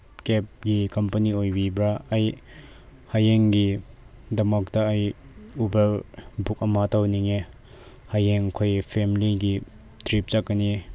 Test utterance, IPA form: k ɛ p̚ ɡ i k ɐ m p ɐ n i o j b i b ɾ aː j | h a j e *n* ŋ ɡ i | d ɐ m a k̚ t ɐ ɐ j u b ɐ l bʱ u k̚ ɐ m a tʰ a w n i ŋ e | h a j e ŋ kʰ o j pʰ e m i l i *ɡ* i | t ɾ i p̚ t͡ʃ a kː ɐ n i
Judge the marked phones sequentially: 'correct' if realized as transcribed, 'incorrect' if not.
incorrect: none, correct

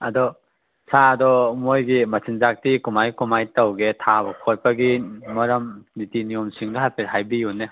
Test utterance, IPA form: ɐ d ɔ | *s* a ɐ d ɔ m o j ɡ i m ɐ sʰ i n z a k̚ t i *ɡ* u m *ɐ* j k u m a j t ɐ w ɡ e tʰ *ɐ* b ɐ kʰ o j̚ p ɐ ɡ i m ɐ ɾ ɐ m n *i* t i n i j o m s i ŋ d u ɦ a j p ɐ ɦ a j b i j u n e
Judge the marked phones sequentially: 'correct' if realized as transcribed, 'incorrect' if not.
correct, incorrect: k, incorrect: a, incorrect: a, correct

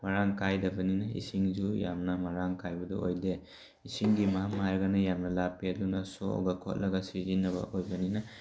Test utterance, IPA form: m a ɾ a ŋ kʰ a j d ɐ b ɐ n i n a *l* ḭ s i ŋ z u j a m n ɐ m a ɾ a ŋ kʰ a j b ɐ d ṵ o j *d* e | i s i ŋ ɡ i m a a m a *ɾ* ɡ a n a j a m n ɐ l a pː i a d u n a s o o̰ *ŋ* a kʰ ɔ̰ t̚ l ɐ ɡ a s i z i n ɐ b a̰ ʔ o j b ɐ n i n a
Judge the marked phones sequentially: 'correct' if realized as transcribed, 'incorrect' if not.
incorrect: none, correct, correct, incorrect: ɡ

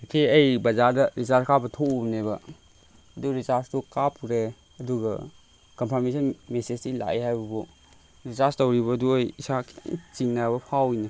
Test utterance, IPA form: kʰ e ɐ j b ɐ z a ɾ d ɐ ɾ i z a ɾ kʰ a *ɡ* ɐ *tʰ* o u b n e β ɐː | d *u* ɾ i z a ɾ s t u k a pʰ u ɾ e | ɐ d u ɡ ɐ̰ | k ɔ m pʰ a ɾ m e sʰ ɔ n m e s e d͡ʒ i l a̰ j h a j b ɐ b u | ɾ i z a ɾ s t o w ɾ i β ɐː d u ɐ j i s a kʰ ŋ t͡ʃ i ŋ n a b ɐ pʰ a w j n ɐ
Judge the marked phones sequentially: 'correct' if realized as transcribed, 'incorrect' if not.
incorrect: b, correct, correct

